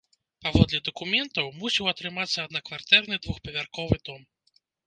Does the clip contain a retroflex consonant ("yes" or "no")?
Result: no